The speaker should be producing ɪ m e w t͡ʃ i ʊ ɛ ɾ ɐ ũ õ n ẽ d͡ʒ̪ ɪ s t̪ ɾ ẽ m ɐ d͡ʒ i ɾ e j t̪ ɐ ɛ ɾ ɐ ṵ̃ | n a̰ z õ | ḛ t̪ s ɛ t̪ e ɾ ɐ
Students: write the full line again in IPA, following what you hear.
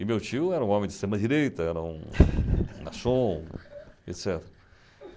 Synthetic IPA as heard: ɪ m e w t͡ʃ i ʊ ɛ ɾ ɐ ũ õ m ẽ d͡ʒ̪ ɪ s t̪ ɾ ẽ m ɐ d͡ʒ i ɾ e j t̪ ɐ ɛ ɾ ɐ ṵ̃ | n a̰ s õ | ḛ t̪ s ɛ t̪ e ɾ ɐ